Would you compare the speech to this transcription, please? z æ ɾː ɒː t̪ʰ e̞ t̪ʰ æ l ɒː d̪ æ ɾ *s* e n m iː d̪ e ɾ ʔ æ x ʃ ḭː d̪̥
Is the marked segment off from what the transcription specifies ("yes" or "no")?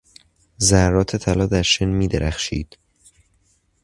yes